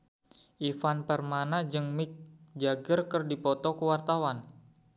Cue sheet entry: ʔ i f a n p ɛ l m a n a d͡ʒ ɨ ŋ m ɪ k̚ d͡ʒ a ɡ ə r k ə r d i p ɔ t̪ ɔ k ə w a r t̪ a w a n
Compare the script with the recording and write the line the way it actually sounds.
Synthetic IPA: ʔ i f a n p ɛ r m a n a d͡ʒ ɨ ŋ m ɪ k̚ d͡ʒ a ɡ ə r k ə r d i p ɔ t̪ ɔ k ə w a r t̪ a w a n